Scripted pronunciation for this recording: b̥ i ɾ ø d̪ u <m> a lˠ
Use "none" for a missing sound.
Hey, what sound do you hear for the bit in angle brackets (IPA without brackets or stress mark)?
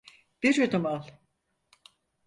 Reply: m